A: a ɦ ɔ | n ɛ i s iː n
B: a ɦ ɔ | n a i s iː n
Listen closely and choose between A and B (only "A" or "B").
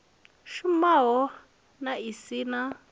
B